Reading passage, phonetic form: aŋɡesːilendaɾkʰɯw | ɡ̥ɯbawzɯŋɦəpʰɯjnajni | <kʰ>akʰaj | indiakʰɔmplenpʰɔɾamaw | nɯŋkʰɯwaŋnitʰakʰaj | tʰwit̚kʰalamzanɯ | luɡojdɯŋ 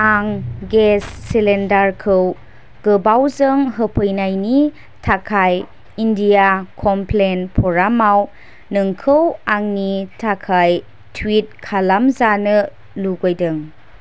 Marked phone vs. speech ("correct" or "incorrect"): incorrect